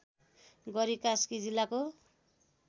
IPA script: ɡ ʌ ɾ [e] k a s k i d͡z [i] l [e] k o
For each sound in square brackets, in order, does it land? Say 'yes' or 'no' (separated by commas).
no, yes, no